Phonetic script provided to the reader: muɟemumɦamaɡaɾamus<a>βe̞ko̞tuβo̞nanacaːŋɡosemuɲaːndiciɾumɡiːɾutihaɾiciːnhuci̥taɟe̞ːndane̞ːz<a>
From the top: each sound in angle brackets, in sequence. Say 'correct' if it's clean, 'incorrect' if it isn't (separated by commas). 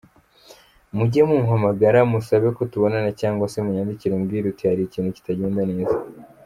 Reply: correct, correct